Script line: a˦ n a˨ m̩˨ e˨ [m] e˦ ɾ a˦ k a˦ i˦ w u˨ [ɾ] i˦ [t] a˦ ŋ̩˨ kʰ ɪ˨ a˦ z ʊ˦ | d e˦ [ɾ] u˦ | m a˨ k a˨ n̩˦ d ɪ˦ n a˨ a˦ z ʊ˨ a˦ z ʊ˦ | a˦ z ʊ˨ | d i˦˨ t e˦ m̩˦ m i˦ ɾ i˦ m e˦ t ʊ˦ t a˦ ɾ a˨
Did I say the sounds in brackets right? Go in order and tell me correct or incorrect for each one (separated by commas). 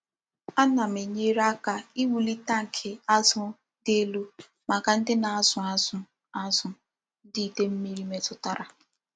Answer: incorrect, incorrect, correct, incorrect